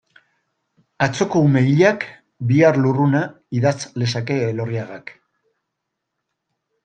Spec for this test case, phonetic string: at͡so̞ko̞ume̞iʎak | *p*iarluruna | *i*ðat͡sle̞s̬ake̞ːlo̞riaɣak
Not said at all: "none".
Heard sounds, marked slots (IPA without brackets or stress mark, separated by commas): b, i